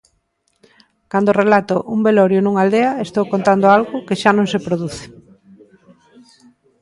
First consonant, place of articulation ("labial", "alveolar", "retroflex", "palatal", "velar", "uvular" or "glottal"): velar